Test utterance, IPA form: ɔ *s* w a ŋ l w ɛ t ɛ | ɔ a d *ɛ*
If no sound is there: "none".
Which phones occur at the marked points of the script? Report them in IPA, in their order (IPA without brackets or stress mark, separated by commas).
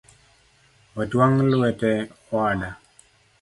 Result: t, a